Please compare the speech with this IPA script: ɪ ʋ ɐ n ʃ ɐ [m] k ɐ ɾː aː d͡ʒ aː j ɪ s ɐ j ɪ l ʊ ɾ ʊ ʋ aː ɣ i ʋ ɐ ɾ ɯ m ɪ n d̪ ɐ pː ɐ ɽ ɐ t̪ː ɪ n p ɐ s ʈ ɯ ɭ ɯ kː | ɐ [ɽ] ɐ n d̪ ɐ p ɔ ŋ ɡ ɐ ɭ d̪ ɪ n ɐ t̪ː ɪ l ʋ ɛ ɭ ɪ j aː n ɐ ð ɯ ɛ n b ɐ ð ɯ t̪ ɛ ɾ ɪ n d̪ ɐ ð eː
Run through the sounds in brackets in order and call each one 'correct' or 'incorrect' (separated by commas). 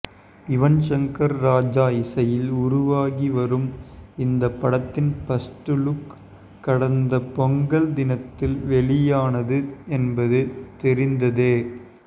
incorrect, correct